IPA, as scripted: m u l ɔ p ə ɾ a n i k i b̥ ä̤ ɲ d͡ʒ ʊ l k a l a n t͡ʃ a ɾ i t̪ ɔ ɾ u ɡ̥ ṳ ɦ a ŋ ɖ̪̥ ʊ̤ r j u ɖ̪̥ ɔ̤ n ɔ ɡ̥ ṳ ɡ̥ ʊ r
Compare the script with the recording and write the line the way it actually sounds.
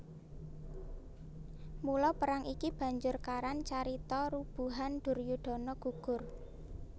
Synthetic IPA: m u l ɔ p ə ɾ a ŋ i k i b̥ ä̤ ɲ d͡ʒ ʊ r k a ɾ a n t͡ʃ a ɾ i t̪ ɔ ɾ u b̥ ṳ ɦ a n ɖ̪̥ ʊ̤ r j u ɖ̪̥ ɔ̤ n ɔ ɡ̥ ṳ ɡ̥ ʊ r